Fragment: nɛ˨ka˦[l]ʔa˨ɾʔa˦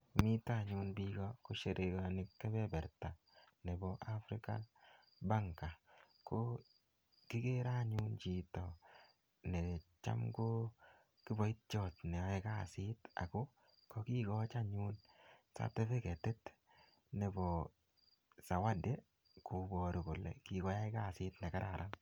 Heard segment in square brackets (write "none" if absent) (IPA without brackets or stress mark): ɾ